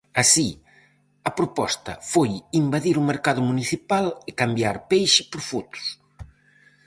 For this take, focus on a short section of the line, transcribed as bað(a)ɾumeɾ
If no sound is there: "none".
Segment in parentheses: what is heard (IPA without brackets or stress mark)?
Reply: i